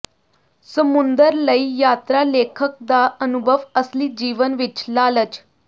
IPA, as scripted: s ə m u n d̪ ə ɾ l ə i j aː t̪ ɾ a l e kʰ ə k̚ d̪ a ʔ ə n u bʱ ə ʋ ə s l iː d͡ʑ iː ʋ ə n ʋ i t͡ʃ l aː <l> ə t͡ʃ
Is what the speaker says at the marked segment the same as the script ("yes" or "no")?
yes